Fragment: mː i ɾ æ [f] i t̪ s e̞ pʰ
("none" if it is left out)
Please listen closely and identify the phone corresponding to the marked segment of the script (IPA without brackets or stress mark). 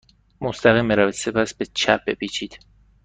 v